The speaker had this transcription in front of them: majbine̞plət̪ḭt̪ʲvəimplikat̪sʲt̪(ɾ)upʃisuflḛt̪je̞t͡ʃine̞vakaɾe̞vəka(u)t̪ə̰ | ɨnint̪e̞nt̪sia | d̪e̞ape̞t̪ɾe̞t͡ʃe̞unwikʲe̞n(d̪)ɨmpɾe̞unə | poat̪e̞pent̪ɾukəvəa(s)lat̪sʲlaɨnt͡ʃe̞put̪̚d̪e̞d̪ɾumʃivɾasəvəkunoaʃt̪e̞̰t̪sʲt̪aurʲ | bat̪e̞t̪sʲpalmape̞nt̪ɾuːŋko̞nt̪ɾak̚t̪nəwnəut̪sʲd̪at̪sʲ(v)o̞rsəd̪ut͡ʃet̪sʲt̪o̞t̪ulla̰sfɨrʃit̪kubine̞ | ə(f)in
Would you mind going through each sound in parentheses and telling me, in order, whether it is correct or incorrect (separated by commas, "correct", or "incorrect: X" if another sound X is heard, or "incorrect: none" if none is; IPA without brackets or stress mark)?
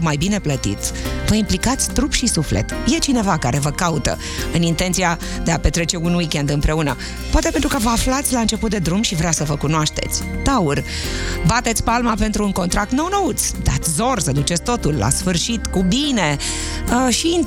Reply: correct, correct, correct, incorrect: f, incorrect: z, incorrect: ʃ